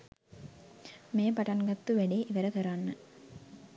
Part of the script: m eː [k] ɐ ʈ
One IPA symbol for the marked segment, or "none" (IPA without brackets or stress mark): p